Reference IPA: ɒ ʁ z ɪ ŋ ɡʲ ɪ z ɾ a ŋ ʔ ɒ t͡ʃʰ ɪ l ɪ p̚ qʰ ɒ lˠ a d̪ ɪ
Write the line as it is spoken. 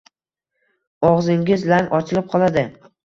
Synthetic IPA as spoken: ɒ ʁ z ɪ ŋ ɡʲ ɪ z l a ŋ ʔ ɒ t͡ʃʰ ɪ l ɪ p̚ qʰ ɒ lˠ a d̪ ɪ

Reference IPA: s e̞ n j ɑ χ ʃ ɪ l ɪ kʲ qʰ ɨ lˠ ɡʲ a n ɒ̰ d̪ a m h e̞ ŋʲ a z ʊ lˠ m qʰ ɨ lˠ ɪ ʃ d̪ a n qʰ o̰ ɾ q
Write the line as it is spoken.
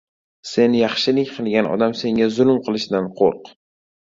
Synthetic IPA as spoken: s e̞ n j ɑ χ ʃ ɪ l ɪ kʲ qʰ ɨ lˠ ɡʲ a n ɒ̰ d̪ a m s e̞ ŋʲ a z ʊ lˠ m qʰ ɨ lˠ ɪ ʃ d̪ a n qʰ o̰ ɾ q

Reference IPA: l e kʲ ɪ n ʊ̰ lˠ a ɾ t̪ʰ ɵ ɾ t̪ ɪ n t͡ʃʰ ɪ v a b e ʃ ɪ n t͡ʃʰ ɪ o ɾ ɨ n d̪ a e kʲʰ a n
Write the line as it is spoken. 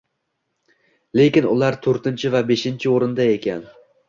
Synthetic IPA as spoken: l e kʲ ɪ n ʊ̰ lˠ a ɾ t̪ʰ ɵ ɾ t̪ ɪ n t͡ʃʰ ɪ v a b e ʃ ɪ n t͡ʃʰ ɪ o ɾ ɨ n d̪ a e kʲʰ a n

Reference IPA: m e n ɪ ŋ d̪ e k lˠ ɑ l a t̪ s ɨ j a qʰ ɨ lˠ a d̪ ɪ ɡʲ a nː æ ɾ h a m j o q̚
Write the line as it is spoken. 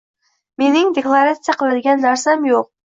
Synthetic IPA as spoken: m e n ɪ ŋ d̪ e k lˠ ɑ ɾ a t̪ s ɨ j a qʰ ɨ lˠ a d̪ ɪ ɡʲ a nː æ ɾ s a m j o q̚

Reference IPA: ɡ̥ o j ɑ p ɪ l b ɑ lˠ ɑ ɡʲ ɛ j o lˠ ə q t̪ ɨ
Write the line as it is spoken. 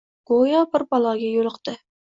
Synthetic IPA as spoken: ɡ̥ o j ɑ b ɪ ɾ b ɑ lˠ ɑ ɡʲ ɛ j o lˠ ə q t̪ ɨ

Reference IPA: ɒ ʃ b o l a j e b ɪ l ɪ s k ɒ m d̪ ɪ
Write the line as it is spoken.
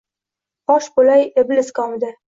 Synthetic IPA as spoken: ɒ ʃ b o l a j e b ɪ l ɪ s k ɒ m d̪ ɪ

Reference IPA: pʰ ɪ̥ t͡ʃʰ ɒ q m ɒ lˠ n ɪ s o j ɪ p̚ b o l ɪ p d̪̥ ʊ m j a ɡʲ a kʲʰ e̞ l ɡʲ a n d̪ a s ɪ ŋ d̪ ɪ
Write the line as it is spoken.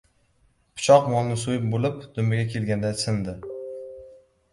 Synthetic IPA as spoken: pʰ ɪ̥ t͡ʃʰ ɒ q m ɒ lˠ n ɪ s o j ɪ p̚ b o l ɪ p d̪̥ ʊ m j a ɡʲ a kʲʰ e̞ l ɡʲ a n d̪ a s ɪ n d̪ ɪ

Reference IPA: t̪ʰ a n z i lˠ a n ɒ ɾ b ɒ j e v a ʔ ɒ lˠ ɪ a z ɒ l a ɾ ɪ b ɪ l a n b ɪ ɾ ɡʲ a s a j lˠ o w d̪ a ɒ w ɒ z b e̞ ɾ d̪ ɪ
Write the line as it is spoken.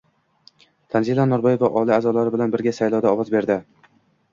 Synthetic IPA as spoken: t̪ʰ a n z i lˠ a n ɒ ɾ b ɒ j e v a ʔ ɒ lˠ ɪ a z ɒ l a ɾ ɪ b ɪ l a n b ɪ ɾ ɡʲ a s a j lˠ ɒ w d̪ a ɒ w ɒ z b e̞ ɾ d̪ ɪ

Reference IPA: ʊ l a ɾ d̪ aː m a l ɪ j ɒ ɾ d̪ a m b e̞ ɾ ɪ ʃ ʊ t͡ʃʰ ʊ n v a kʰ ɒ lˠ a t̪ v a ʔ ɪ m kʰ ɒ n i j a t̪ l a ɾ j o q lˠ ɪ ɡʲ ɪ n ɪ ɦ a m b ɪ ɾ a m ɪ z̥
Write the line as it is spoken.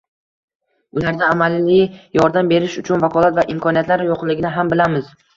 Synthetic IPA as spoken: ʊ l a ɾ d̪ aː m a l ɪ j ɒ ɾ d̪ a m b e̞ ɾ ɪ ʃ ʊ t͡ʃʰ ʊ n v a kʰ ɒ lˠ a t̪ v a ʔ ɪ m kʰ ɒ n i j a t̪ l a ɾ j o q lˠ ɪ ɡʲ ɪ n ɪ ɦ a m b ɪ l a m ɪ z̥

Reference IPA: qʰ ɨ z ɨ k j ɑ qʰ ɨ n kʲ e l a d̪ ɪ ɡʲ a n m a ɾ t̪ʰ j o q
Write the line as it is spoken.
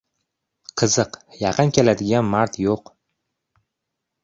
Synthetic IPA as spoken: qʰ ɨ z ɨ q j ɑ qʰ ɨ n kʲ e l a d̪ ɪ ɡʲ a n m a ɾ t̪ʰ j o q

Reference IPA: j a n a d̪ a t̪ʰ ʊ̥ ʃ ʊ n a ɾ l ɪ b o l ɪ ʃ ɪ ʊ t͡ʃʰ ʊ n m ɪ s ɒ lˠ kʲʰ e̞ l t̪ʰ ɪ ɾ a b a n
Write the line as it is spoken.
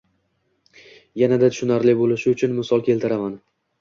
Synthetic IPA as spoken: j a n a d̪ a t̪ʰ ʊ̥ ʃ ʊ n a ɾ l ɪ b o l ɪ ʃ ɪ ʊ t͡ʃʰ ʊ n m ɪ s ɒ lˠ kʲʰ e̞ l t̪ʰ ɪ ɾ a m a n

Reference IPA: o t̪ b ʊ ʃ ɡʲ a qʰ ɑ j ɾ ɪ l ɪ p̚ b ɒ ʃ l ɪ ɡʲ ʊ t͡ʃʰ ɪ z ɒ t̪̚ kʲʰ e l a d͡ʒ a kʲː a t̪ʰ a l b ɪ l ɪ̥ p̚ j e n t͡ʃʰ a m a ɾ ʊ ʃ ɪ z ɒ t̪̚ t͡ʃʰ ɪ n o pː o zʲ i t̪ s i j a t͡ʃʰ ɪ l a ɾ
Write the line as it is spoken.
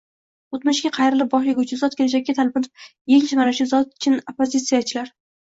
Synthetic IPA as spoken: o t̪ m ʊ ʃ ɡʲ a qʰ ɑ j ɾ ɪ l ɪ p̚ b ɒ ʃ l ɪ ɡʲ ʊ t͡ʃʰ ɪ z ɒ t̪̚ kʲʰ e l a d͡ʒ a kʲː a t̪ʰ a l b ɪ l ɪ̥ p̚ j e ŋ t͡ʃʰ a m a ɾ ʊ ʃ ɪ z ɒ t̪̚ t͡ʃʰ ɪ n o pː o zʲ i t̪ s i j a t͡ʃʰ ɪ l a ɾ

